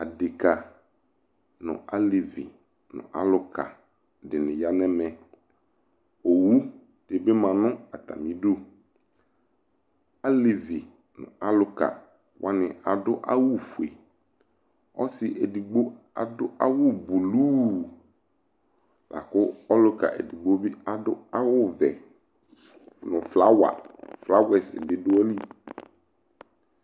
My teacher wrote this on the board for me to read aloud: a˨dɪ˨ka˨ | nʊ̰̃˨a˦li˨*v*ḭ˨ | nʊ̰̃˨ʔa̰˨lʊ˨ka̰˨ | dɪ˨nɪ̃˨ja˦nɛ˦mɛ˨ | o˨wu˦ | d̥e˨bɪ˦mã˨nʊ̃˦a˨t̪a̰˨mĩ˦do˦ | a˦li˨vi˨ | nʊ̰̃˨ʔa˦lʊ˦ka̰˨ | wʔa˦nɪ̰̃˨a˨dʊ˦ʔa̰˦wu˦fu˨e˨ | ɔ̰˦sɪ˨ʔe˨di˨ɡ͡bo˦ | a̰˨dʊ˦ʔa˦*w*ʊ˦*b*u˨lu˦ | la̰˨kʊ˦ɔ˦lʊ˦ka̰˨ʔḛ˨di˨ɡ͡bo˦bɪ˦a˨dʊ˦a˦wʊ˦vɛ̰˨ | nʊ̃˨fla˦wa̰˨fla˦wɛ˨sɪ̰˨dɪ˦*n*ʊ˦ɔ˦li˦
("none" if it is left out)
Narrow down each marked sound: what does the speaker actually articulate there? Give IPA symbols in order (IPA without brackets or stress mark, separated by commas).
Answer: v, w, b, d